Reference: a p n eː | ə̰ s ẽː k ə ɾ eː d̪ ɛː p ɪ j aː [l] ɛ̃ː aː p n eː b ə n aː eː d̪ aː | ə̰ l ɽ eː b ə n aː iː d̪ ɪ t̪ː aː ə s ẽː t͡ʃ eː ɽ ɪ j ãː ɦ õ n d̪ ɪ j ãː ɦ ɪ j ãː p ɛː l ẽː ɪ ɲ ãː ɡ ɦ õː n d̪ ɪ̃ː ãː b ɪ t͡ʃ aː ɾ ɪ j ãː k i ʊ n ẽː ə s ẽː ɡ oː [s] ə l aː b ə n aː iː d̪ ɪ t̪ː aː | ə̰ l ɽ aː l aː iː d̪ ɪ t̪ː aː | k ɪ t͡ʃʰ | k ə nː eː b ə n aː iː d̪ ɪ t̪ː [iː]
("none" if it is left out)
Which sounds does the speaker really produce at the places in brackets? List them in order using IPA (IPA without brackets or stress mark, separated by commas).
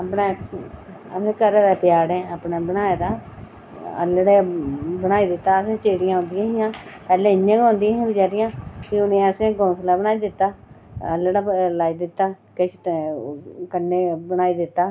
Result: ɽ, s, aː